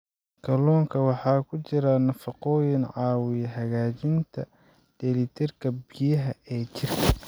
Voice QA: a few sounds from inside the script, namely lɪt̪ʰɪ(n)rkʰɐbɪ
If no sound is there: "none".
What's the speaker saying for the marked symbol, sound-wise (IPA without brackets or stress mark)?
none